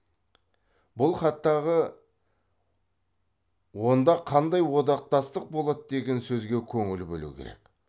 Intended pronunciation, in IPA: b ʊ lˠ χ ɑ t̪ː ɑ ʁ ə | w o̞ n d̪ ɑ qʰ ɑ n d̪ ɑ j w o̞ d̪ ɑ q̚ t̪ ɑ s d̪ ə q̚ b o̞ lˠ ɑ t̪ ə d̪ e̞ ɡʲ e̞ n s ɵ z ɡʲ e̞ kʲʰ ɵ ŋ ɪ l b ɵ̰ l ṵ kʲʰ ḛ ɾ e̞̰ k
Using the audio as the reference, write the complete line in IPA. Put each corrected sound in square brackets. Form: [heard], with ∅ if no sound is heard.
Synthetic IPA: b ʊ lˠ χ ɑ t̪ː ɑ ʁ ə | w o̞ n d̪ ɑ qʰ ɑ n d̪ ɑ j w o̞ d̪ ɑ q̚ t̪ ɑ s [t̪] ə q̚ b o̞ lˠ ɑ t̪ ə d̪ e̞ ɡʲ e̞ n s ɵ z ɡʲ e̞ kʲʰ ɵ ŋ ɪ l b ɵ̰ l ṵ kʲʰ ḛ ɾ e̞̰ k

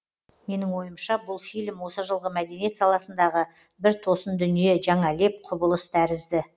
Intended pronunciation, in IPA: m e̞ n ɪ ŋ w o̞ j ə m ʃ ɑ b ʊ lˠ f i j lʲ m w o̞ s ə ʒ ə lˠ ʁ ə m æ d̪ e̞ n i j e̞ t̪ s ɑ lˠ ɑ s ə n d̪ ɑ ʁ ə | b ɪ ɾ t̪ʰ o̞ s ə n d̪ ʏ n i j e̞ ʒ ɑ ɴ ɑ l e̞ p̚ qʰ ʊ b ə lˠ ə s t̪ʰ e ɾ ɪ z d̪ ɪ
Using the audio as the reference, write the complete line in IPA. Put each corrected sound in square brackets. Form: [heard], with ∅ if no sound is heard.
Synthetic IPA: m e̞ n ɪ ŋ w o̞ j ə m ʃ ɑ b ʊ lˠ f i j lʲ m w o̞ s ə ʒ ə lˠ ʁ ə m æ d̪ e̞ n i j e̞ t̪ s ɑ lˠ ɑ s ə n d̪ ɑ ʁ ə | b ɪ ɾ t̪ʰ o̞ s ə n d̪ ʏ n i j e̞ ʒ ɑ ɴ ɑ l e̞ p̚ qʰ ʊ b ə lˠ ə s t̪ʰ [æ] ɾ ɪ z d̪ ɪ

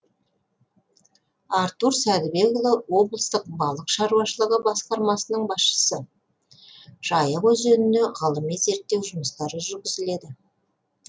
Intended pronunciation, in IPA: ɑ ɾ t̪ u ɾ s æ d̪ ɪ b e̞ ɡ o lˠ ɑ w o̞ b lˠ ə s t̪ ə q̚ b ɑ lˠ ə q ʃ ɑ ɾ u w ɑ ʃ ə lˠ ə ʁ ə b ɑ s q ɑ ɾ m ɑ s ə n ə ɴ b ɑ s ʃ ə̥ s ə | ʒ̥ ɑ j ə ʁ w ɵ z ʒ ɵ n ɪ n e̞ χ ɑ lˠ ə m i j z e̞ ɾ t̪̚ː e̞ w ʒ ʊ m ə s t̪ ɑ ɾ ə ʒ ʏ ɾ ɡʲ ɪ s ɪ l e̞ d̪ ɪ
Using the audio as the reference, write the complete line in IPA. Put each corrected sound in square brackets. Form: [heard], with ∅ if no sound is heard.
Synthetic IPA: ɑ ɾ t̪ u ɾ s æ d̪ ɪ b e̞ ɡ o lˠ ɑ w o̞ b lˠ ə s t̪ ə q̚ b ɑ lˠ ə q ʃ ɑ ɾ u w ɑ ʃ ə lˠ ə ʁ ə b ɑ s q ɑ ɾ m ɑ s ə n ə ɴ b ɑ s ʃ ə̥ s ə | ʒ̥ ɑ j ə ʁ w ɵ z ʒ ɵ n ɪ n e̞ [ʁ] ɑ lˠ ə m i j z e̞ ɾ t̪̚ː e̞ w ʒ ʊ m ə s t̪ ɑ ɾ ə ʒ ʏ ɾ ɡʲ ɪ [z] ɪ l e̞ d̪ ɪ

